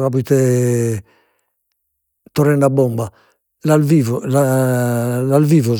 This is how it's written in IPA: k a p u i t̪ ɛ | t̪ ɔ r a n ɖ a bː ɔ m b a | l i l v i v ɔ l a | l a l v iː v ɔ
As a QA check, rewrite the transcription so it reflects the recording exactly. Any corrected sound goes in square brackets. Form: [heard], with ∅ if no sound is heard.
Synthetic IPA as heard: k a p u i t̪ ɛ | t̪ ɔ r [ɛ] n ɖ a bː ɔ m b a | l [a] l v i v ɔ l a | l a l v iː v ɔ